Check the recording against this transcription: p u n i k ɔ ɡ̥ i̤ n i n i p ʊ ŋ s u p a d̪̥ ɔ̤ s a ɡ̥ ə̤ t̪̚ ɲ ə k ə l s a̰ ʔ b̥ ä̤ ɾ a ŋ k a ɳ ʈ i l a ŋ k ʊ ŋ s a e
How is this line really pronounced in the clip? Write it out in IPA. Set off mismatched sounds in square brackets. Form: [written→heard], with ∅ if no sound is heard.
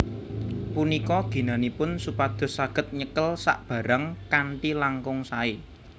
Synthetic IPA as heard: p u n i k ɔ ɡ̥ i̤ n [i→a] n i p ʊ [ŋ→n] s u p a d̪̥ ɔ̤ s a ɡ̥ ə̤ t̪̚ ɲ ə k ə l s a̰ ʔ b̥ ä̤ ɾ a ŋ k a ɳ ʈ i l a ŋ k ʊ ŋ s a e